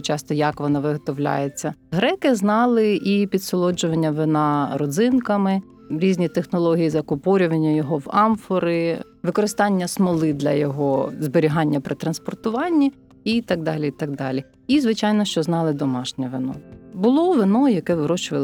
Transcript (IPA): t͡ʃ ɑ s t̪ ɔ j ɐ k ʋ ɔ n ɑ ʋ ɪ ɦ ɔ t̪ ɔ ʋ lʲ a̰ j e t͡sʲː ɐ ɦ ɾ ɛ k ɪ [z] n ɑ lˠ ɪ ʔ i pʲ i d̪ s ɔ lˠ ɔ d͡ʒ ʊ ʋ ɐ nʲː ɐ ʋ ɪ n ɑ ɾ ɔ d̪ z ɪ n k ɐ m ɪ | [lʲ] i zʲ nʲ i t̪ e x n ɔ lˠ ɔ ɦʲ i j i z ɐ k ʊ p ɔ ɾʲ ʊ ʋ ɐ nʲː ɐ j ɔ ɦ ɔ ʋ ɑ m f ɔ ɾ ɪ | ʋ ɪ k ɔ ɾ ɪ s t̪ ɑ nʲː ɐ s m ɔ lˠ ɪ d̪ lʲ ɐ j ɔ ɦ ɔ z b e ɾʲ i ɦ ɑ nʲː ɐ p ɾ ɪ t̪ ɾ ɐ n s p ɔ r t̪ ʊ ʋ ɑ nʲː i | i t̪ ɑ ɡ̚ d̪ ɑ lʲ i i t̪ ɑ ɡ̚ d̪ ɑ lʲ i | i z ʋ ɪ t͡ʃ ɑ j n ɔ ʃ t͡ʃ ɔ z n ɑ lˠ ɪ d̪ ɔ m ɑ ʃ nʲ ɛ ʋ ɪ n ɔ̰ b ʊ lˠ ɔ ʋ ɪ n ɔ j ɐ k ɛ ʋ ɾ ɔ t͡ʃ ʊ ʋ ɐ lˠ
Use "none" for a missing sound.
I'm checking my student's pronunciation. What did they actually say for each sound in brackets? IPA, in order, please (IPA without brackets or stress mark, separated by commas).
z, ɾʲ